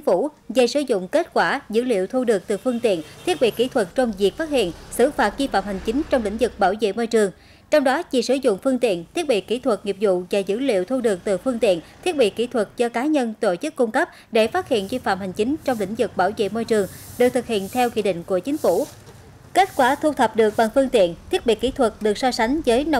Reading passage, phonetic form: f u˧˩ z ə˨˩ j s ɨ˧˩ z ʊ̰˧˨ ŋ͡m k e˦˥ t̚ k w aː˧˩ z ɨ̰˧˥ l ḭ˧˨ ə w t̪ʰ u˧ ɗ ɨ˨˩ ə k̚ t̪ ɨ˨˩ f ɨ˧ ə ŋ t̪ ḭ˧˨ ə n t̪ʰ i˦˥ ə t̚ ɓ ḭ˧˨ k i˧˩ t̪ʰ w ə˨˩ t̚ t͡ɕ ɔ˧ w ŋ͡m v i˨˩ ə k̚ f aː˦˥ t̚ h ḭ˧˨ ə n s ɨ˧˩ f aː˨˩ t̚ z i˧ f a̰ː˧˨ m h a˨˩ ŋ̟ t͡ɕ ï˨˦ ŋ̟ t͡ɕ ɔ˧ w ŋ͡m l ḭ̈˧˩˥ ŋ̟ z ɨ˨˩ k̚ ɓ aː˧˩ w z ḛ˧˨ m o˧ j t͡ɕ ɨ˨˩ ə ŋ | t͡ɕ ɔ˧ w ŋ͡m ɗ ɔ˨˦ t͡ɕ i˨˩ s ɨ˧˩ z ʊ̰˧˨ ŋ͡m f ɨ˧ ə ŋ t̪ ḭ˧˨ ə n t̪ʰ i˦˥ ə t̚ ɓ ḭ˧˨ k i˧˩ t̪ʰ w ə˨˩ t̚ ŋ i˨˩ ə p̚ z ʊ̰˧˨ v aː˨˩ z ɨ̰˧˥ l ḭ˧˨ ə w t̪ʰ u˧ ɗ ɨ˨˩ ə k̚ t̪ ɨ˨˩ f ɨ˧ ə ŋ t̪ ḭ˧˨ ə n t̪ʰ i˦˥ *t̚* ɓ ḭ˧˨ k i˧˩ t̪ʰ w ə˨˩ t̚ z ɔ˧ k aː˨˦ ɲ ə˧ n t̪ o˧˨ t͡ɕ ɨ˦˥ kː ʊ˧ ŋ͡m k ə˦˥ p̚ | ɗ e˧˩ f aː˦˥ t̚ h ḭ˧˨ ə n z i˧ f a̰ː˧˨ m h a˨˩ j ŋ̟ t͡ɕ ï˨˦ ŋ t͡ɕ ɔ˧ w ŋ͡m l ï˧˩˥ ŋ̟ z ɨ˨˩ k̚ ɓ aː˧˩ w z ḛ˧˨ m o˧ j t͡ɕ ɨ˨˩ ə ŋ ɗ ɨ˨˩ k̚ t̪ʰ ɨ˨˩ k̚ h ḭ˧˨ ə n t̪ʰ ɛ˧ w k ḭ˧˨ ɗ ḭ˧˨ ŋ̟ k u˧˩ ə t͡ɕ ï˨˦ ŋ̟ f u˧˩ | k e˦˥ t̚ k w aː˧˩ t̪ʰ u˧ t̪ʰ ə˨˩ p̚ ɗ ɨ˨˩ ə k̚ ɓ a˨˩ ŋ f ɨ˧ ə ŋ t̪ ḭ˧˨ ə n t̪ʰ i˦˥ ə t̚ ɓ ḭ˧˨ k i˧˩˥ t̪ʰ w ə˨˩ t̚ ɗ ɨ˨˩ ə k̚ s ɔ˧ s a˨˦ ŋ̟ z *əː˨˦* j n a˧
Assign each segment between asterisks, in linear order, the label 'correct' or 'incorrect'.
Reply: correct, correct

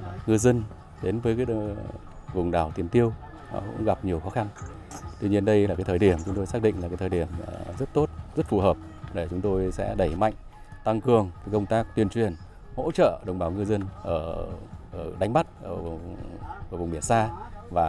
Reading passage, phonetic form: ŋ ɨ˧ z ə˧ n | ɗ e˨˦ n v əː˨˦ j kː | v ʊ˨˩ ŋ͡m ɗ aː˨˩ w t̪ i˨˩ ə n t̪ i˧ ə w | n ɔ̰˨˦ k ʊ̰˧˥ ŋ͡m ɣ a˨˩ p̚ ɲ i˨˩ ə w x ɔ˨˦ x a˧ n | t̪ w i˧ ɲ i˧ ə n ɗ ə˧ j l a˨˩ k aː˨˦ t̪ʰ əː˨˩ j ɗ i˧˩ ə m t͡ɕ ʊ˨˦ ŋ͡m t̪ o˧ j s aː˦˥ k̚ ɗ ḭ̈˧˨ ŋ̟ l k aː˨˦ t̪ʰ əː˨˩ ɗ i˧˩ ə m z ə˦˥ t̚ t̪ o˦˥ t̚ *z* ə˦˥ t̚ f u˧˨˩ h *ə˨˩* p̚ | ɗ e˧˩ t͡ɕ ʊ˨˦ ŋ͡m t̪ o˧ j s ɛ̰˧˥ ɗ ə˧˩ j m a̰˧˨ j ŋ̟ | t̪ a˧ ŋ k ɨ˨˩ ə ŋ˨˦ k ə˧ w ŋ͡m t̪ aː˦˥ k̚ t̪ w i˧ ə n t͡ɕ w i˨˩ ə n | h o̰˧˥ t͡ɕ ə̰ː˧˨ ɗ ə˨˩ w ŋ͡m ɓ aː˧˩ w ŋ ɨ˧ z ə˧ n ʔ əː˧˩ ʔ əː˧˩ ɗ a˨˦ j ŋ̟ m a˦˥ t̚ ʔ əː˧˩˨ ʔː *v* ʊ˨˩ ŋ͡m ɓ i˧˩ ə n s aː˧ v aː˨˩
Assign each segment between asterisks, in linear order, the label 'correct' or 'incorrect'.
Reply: correct, incorrect: əː˨˩, correct

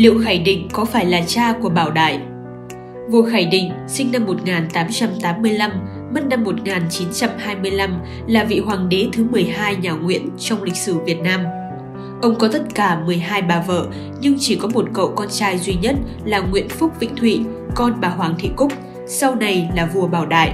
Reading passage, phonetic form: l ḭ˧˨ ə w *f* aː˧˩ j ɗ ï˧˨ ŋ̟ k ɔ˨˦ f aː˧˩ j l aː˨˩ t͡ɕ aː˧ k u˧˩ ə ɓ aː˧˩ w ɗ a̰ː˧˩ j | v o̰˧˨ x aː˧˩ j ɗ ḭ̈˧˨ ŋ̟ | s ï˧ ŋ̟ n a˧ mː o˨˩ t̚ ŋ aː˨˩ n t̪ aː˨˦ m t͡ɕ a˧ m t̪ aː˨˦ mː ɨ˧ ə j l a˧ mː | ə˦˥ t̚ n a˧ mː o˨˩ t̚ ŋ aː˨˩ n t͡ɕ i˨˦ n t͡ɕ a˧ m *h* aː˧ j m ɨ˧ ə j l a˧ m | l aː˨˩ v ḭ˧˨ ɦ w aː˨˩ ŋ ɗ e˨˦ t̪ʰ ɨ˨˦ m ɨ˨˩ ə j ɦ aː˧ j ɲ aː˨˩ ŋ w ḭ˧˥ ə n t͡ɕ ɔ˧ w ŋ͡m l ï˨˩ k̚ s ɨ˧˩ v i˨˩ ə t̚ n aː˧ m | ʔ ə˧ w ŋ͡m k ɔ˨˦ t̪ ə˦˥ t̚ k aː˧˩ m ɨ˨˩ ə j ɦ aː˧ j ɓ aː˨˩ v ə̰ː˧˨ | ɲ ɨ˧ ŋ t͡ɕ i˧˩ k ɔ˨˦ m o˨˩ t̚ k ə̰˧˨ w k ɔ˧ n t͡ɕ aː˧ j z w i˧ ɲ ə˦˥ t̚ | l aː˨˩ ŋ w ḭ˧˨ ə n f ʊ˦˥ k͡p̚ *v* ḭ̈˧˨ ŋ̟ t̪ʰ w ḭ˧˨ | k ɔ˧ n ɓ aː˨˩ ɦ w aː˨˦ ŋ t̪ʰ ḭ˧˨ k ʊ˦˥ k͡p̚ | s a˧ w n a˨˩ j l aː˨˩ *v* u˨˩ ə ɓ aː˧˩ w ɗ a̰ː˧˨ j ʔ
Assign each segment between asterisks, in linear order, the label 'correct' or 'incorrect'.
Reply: incorrect: x, correct, correct, correct

